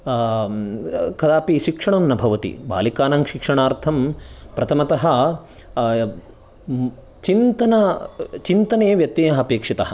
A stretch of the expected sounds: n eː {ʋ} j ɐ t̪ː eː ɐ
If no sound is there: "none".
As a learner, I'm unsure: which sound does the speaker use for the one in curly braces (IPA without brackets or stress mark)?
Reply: ʋ